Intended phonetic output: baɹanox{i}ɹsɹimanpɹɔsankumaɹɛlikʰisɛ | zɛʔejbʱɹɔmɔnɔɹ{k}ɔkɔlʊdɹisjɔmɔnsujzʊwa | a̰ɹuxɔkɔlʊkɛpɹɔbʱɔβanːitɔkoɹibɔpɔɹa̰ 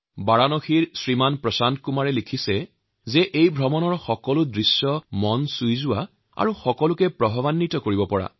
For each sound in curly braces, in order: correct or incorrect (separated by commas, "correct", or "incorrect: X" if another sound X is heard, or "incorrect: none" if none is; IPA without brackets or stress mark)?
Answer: correct, incorrect: x